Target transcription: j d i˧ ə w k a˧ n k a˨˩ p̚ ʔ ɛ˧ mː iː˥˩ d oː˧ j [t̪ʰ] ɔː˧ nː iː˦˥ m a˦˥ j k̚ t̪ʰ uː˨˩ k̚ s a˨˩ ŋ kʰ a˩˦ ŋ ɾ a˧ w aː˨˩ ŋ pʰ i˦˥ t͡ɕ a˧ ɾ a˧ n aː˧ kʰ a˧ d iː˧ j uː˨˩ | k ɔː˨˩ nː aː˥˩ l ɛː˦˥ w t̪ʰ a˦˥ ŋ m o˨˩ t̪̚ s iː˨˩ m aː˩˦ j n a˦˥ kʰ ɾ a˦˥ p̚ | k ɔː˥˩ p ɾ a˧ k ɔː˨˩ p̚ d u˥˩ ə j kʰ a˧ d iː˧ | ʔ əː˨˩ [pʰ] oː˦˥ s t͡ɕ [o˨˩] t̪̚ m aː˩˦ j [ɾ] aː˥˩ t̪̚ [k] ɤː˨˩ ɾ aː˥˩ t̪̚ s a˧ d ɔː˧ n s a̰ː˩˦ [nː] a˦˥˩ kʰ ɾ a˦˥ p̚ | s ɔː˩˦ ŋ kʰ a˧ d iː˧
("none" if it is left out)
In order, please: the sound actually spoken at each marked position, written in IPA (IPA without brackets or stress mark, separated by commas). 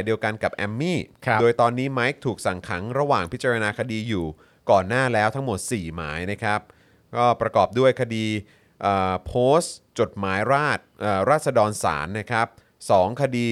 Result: t̪, pʰ, o˨˩, ɾ, ʔ, nː